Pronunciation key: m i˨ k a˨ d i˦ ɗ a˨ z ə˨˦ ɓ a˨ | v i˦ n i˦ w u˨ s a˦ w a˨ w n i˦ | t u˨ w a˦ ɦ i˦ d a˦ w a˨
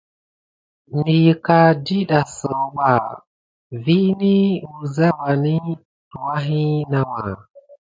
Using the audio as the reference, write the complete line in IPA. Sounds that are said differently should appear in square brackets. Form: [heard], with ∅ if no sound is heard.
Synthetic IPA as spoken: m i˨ k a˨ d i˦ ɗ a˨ [s] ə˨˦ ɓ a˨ | v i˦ n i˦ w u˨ [z] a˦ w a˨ [∅] n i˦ | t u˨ w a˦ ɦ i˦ [n] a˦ w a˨